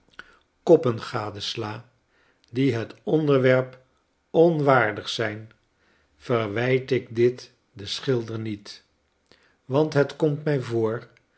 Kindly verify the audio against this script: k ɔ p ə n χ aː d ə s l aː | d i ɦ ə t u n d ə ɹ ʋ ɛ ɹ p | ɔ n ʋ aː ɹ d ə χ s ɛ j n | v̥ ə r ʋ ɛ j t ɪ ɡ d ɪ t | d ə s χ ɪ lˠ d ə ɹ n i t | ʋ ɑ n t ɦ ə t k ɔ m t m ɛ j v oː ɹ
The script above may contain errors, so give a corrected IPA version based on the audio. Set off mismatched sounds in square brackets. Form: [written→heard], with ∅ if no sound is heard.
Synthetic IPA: k ɔ p ə n χ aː d ə s l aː | d i ɦ ə t [u→ɔ] n d ə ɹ ʋ ɛ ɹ p | ɔ n ʋ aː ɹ d ə χ s ɛ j n | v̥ ə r ʋ ɛ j t ɪ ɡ d ɪ t | d ə s χ ɪ lˠ d ə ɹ n i t | ʋ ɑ n t ɦ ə t k ɔ m t m ɛ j v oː ɹ